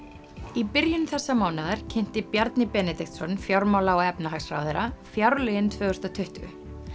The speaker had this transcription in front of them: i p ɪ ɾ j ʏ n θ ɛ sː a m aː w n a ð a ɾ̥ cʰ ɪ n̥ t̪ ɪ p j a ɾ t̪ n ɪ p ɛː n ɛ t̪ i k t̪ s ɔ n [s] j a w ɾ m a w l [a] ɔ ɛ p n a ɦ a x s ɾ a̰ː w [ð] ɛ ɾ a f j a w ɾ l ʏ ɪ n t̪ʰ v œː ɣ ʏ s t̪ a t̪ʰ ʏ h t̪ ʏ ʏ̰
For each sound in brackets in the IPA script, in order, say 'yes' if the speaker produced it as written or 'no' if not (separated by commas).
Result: no, yes, yes